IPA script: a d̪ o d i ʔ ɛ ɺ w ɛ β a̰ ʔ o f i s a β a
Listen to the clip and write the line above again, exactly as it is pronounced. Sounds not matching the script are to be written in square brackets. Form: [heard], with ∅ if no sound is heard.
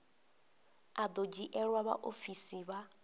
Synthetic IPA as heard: a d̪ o [d͡ʒ] i ʔ ɛ ɺ w [a] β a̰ ʔ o f i s [i] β a